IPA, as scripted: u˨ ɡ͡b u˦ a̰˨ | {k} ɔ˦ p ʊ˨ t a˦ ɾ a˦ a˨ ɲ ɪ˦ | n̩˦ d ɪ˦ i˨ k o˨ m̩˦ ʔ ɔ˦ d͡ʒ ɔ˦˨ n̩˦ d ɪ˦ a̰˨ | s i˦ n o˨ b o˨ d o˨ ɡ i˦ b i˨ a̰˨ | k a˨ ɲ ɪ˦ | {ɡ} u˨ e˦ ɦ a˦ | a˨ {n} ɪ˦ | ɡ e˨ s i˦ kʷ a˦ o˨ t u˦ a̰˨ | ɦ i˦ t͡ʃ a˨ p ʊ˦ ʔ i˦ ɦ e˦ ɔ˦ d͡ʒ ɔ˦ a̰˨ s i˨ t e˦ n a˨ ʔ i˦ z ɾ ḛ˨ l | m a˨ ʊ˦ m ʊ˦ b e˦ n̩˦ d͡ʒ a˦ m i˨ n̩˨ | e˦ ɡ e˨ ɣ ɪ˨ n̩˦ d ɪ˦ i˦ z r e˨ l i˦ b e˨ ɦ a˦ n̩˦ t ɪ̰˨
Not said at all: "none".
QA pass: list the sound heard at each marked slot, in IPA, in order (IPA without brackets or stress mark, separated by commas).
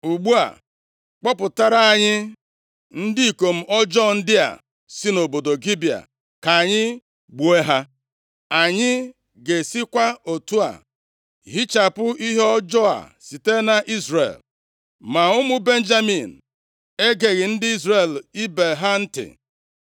k͡p, ɡ͡b, ɲ